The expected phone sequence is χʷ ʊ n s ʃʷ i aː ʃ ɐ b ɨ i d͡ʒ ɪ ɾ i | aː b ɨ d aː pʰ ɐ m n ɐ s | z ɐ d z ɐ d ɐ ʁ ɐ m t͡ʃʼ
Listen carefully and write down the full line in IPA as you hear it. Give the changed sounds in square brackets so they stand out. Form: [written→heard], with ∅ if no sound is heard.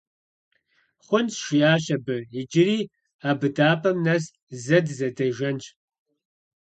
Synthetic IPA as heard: χʷ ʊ n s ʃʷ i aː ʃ ɐ b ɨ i d͡ʒ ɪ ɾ [i→iː] | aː b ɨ d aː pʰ ɐ m n ɐ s | z ɐ d z ɐ d ɐ [ʁ→ʒ] ɐ [m→n] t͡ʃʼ